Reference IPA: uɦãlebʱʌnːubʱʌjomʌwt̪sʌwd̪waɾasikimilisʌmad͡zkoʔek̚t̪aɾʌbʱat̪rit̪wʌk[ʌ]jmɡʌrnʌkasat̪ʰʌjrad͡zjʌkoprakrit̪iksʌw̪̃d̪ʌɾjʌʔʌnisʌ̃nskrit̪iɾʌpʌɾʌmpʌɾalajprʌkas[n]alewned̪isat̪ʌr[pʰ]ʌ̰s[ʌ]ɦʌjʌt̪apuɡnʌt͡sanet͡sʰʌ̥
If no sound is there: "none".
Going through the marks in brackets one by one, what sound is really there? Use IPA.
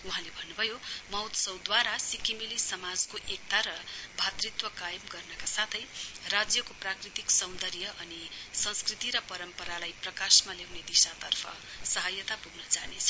a, m, pʰ, ʌ

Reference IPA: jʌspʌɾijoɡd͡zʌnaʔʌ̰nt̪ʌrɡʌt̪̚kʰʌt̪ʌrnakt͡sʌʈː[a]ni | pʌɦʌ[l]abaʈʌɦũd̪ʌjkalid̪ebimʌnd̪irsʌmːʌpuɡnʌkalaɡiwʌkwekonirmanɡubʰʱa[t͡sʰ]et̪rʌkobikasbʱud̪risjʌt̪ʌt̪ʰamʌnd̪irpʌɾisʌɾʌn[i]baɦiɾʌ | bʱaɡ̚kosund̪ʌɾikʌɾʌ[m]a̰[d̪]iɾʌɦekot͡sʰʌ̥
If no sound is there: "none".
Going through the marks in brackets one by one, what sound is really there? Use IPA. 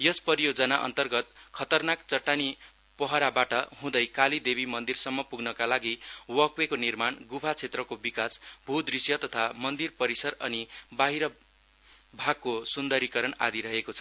a, ɾ, t͡sʰ, i, n, d̪

